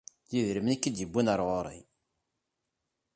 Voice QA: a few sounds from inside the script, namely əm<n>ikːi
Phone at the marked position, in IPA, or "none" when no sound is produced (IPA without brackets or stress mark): n